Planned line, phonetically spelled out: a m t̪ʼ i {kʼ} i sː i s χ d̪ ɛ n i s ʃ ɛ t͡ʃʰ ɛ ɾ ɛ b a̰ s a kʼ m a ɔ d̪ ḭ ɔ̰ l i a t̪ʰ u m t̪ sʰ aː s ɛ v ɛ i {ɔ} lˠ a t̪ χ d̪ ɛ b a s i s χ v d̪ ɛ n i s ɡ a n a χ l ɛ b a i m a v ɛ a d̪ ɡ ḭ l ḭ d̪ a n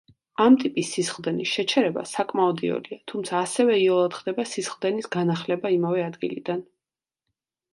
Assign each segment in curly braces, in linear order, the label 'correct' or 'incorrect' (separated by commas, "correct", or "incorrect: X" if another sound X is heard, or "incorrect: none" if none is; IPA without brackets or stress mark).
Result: incorrect: pʼ, correct